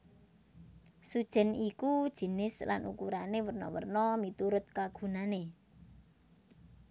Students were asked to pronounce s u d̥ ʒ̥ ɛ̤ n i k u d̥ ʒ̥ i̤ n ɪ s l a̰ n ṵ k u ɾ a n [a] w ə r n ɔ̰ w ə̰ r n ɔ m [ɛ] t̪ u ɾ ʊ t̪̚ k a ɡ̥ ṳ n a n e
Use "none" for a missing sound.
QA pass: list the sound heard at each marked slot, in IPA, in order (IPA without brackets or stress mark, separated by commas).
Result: e, i